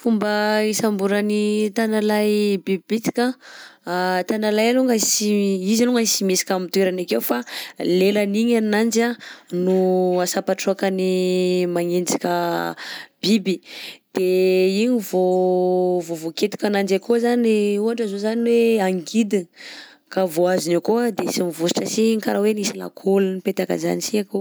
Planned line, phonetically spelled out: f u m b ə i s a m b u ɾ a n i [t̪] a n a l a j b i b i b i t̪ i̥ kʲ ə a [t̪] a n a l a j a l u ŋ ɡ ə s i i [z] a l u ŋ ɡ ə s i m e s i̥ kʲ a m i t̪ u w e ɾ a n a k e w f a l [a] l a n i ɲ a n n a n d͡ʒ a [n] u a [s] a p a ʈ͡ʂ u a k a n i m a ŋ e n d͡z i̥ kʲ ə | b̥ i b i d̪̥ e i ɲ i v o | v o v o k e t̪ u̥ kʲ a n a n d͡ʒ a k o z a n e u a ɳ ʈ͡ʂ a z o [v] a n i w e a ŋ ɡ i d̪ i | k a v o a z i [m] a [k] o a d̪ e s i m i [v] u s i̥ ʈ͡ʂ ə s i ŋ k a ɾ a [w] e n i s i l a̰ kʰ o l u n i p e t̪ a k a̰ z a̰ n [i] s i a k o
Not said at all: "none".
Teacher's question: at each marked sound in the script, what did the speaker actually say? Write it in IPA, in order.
t̪, t̪, z, e, n, s, z, n, k, v, w, i

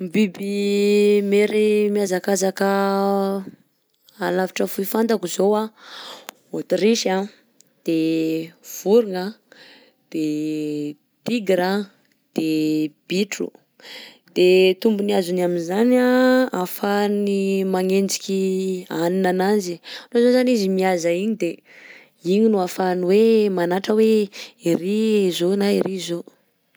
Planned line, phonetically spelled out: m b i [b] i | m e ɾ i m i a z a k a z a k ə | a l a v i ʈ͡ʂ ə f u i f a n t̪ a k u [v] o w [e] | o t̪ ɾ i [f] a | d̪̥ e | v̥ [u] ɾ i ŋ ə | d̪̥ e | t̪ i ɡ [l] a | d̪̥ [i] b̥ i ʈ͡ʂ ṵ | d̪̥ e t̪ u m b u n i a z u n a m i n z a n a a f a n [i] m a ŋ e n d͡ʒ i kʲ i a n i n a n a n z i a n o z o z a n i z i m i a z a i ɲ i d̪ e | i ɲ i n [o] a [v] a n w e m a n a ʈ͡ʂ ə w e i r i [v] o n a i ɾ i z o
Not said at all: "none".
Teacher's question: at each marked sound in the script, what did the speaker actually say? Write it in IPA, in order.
b, z, a, ʃ, u, ɾ, e, i, u, f, z

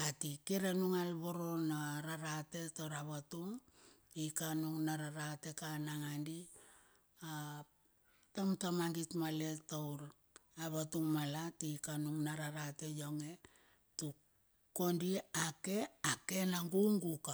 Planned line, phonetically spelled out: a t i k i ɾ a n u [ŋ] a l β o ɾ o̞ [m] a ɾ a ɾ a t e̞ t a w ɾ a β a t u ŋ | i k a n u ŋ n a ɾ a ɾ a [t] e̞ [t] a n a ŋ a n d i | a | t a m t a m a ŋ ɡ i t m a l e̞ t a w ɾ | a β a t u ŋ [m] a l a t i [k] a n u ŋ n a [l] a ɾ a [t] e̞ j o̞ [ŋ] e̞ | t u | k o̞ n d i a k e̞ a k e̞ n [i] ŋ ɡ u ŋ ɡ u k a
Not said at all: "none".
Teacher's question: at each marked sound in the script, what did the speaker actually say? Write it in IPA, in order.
ŋ, n, t, k, m, k, ɾ, t, ŋ, a

